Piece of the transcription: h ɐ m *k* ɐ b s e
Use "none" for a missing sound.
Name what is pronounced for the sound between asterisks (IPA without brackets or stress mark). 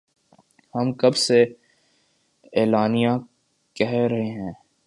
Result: k